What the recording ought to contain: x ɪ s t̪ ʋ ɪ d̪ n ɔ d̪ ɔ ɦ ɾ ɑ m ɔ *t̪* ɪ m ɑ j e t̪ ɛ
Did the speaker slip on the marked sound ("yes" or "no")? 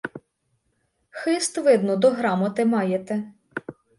no